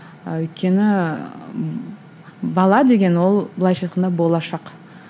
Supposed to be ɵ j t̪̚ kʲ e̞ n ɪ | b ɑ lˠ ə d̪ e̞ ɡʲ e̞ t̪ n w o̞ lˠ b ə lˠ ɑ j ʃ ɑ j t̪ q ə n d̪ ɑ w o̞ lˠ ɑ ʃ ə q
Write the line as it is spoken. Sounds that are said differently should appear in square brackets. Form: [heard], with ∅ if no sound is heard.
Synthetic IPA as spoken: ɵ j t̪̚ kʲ e̞ n ɪ | b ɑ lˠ [ɑ] d̪ e̞ ɡʲ e̞ [∅] n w o̞ lˠ b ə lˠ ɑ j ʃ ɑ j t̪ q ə n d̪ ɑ [b] o̞ lˠ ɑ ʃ [ɑ] q